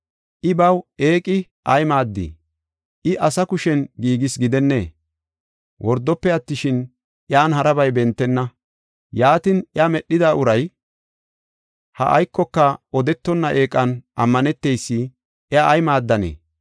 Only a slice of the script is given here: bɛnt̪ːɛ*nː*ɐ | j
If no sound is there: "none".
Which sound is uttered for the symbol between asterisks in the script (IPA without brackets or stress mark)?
nː